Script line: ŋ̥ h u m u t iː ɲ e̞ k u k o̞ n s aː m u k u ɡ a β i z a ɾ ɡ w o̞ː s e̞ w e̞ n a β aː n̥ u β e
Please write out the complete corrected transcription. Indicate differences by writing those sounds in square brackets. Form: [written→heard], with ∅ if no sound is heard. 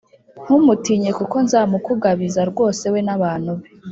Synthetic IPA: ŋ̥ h u m u t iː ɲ e̞ k u k o̞ n [s→z] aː m u k u ɡ a β i z a ɾ ɡ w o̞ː s e̞ w e̞ n a β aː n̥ u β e